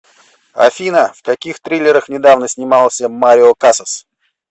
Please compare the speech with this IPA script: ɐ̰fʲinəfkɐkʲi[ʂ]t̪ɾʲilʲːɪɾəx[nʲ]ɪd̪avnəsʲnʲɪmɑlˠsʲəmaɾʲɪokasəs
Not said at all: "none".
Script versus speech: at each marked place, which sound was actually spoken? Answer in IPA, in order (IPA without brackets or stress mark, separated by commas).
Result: x, nʲ